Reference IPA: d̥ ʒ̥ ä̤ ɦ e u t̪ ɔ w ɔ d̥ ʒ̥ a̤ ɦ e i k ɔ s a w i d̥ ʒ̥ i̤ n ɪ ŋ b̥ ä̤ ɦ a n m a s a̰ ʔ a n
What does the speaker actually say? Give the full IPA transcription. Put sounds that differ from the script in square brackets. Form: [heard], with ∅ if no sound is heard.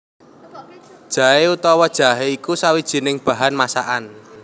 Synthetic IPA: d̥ ʒ̥ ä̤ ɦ e u t̪ ɔ w ɔ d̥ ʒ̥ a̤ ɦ e i k [u] s a w i d̥ ʒ̥ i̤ n ɪ ŋ b̥ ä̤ ɦ a n m a s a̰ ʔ a n